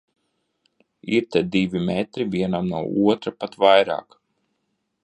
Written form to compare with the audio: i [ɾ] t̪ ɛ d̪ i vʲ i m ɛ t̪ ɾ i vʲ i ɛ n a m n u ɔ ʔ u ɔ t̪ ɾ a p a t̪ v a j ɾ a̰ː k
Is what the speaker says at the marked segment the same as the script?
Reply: yes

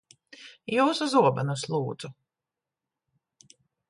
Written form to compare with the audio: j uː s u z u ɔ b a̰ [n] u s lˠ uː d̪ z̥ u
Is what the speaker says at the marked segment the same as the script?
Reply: yes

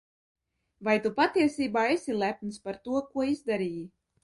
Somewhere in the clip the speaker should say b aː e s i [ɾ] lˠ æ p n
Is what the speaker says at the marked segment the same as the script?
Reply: no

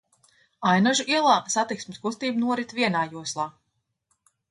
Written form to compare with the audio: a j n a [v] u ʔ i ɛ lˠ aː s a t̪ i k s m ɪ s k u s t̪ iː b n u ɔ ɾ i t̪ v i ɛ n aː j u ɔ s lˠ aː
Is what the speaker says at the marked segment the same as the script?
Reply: no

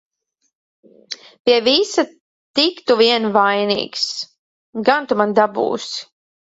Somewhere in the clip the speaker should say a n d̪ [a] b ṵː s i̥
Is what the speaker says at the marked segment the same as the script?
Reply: yes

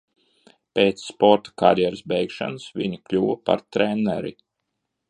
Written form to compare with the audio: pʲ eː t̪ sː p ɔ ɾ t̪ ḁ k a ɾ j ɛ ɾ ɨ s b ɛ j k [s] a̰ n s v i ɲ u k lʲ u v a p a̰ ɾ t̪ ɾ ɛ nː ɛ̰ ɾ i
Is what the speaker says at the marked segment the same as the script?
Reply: no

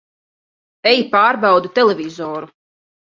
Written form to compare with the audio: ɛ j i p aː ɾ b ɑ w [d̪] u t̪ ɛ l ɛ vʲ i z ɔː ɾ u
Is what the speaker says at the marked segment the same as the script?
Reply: yes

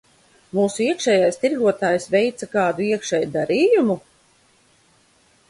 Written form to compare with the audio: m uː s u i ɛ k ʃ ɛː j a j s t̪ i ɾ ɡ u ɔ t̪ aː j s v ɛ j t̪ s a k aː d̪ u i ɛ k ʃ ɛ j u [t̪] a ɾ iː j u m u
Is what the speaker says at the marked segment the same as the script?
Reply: no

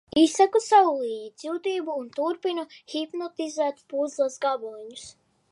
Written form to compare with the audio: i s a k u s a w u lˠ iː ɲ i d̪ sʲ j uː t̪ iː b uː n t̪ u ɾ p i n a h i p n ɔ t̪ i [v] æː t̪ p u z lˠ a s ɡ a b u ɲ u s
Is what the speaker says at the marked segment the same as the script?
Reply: no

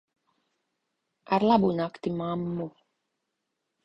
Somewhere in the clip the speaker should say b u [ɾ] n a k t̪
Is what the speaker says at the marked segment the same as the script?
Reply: no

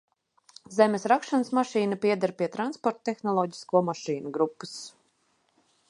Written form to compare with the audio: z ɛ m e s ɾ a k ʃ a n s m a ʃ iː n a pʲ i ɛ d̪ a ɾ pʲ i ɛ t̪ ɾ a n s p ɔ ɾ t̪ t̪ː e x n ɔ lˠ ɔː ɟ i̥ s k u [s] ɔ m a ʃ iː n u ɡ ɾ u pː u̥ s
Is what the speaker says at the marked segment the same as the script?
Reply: no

